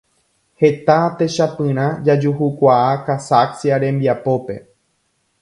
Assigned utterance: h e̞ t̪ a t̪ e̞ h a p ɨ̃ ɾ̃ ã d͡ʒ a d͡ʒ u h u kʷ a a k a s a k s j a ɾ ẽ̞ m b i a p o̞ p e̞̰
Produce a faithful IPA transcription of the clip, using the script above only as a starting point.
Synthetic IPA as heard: h e̞ t̪ a t̪ e̞ ʃ a p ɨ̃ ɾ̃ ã d͡ʒ a d͡ʒ u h u kʷ a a k a s a k s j a ɾ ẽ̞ m b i a p o̞ p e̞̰